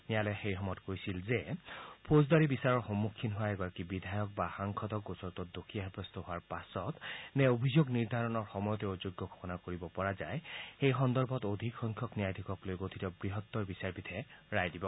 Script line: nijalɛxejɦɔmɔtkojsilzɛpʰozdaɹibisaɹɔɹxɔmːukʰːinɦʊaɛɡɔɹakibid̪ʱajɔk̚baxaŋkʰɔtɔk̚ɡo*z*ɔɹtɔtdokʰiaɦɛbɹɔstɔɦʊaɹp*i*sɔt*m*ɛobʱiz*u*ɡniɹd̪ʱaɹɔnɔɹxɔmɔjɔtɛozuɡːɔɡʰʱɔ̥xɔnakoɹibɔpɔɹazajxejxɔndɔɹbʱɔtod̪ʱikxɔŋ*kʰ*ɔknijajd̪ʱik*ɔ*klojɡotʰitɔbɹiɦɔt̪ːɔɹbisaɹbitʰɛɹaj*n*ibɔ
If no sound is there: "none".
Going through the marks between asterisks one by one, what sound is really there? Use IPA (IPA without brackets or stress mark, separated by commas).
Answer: s, a, n, o, kʰ, ɔ, d